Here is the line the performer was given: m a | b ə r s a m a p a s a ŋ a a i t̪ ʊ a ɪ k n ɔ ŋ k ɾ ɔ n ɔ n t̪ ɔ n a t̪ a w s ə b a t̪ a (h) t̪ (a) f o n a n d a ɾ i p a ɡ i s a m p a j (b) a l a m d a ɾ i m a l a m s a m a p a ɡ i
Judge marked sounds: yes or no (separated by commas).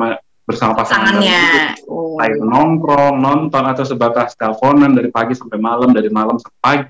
no, yes, no